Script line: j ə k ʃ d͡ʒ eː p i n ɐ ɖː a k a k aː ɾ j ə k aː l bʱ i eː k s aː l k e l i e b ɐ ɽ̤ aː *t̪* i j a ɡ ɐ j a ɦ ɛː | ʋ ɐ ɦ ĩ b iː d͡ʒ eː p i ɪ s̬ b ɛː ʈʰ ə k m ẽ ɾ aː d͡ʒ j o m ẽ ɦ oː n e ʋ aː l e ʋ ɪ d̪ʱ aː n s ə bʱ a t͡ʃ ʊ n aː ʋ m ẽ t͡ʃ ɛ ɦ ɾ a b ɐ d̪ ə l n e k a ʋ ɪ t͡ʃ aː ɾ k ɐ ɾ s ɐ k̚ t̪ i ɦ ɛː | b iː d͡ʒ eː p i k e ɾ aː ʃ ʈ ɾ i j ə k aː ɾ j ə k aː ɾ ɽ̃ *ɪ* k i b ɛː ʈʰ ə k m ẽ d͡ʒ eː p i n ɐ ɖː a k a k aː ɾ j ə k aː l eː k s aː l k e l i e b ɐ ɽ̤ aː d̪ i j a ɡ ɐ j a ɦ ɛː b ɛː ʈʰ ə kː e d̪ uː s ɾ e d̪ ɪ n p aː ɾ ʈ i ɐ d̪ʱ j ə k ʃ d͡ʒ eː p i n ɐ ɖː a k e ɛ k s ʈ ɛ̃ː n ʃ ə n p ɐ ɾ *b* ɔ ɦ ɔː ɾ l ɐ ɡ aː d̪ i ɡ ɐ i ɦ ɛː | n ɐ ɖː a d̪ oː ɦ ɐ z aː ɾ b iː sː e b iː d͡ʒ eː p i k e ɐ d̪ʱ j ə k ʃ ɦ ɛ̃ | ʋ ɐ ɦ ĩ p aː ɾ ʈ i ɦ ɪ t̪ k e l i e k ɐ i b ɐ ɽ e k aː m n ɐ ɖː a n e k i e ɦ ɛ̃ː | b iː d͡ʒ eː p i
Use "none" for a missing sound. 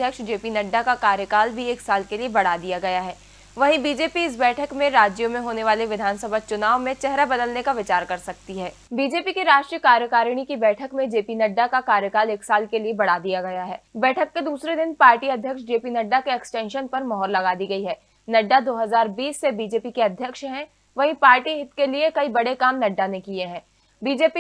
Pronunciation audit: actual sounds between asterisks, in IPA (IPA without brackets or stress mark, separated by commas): d̪, i, m